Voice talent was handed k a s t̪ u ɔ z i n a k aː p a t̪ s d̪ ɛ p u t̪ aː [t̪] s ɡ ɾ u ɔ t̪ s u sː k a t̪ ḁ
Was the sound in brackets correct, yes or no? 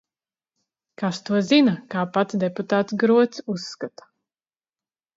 yes